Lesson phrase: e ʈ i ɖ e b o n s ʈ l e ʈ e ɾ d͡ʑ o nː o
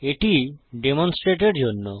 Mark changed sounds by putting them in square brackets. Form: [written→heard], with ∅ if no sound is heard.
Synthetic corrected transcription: e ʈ i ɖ e [b→m] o n s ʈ [l→ɾ] e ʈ e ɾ d͡ʑ o nː o